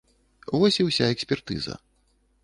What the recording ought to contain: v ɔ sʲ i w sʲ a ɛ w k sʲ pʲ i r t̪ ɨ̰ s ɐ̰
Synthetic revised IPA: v ɔ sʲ i w sʲ a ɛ k sʲ pʲ ɛ r t̪ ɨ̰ z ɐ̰

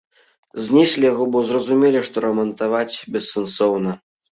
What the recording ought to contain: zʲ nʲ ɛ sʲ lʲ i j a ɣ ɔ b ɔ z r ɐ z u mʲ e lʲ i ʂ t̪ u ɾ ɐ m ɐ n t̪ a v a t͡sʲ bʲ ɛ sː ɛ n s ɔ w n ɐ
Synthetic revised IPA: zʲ nʲ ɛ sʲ lʲ i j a ɣ ɔ b ɔ z r ɐ z u mʲ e lʲ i ʂ t̪ ɔ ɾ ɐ m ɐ n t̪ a v a t͡sʲ bʲ ɛ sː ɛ n s ɔ w n ɐ

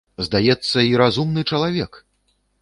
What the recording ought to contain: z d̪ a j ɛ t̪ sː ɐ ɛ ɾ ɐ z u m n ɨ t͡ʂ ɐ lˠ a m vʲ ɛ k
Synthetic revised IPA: z d̪ a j ɛ t̪ sː ɐ i ɾ a z u m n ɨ t͡ʂ ɐ lˠ a vʲ ɛ k

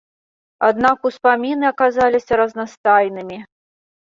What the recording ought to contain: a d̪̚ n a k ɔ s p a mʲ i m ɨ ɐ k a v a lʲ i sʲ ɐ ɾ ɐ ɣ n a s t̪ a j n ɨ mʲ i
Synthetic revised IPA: a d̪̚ n a k u s p a mʲ i n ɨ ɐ k a z a lʲ i sʲ ɐ ɾ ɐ z n a s t̪ a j n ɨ mʲ i

